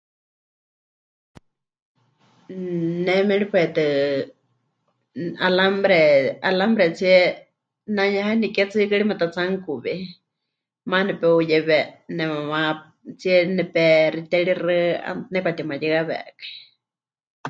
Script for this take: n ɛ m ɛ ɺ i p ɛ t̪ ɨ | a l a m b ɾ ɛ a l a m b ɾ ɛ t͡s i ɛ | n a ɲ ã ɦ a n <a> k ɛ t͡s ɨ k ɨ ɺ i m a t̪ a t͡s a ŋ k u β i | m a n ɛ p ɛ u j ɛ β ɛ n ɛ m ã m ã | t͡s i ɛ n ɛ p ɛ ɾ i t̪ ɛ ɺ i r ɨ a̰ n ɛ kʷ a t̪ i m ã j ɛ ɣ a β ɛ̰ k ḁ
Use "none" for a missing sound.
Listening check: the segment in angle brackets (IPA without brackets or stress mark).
i